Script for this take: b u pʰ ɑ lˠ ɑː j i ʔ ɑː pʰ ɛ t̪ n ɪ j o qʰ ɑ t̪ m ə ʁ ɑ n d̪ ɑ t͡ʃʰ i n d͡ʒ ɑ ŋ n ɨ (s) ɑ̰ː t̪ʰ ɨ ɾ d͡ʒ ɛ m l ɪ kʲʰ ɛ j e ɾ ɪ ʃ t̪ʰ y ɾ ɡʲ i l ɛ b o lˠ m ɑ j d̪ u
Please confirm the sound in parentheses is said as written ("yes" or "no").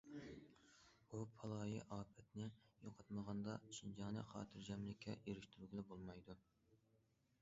no